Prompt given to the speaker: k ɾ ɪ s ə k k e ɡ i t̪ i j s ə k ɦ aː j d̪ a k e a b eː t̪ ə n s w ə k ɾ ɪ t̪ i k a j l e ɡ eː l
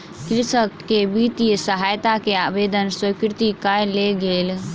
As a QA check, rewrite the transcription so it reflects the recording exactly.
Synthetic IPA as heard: k ɾ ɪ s ə k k e b i t̪ i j s ə ɦ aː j t̪ a k e a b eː d̪ ə n s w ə k ɾ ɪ t̪ i k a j l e ɡ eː l